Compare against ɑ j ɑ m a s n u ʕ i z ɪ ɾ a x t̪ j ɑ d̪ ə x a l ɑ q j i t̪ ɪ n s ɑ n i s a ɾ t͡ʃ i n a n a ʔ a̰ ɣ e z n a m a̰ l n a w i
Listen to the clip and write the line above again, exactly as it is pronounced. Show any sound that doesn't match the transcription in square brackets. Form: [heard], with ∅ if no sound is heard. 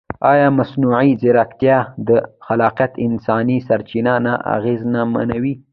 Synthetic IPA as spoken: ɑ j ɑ m a s n u ʕ i z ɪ ɾ a [k] t̪ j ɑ d̪ ə x a l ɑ q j [a] t̪ ɪ n s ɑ n i s a ɾ t͡ʃ i n a n a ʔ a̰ ɣ e z n a m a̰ [∅] n a w i